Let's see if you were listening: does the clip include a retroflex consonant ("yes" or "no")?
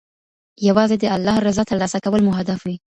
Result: no